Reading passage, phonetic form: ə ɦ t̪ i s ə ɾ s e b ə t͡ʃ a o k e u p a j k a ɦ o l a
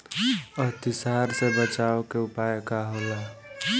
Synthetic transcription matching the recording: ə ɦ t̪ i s a ɾ s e b ə t͡ʃ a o k e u p a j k a ɦ o l a